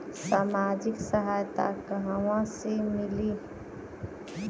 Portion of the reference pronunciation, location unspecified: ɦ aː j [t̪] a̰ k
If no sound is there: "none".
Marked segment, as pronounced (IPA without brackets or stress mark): t̪